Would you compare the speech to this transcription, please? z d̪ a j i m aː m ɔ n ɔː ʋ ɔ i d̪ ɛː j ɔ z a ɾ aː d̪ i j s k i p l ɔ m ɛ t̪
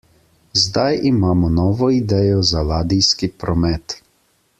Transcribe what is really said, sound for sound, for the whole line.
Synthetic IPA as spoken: z d̪ a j i m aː m ɔ n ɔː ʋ ɔ i d̪ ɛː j ɔ z a l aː d̪ i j s k i p ɾ ɔ m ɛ t̪